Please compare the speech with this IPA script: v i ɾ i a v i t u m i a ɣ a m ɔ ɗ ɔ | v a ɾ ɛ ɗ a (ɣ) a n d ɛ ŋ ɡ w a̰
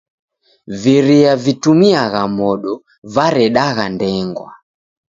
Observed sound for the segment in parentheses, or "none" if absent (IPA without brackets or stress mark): ɣ